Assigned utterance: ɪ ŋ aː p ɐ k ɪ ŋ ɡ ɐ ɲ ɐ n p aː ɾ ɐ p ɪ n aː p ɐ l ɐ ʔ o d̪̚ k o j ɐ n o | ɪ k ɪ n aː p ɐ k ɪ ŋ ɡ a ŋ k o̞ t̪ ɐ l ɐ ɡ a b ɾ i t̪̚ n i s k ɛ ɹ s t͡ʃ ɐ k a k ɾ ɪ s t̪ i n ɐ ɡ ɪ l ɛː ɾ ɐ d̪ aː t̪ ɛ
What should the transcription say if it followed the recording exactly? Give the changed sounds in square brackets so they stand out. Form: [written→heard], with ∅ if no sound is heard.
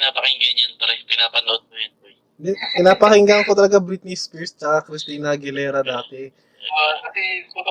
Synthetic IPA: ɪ [ŋ→n] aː p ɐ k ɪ ŋ ɡ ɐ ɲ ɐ n p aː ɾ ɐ p ɪ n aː p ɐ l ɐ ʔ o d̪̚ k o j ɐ n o | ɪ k ɪ n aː p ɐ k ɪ ŋ ɡ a ŋ k o̞ t̪ ɐ l ɐ ɡ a b ɾ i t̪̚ n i s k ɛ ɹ s t͡ʃ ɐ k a k ɾ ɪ s t̪ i n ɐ ɡ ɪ l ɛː ɾ ɐ d̪ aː t̪ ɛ